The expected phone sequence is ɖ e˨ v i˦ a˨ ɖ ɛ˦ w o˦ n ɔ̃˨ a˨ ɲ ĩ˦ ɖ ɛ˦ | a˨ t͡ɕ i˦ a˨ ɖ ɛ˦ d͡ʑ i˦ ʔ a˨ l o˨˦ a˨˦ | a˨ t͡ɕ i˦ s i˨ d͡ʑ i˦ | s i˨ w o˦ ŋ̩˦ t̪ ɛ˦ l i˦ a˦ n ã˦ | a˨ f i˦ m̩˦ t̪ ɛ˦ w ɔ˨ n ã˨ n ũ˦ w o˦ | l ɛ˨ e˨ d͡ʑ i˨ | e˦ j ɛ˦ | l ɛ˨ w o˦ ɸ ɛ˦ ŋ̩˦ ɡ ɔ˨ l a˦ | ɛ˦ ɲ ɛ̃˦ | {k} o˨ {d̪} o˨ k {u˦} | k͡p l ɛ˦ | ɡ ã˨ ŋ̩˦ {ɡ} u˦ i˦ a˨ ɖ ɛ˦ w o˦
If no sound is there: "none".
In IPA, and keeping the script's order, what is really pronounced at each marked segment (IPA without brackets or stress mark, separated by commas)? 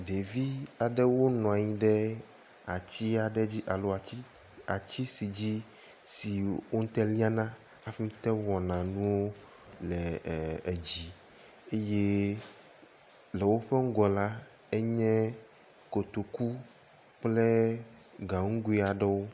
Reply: k, t̪, u˦, ɡ